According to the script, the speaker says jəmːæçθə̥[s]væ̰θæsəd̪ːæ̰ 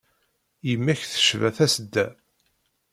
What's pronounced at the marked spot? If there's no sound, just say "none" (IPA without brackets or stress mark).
ʃ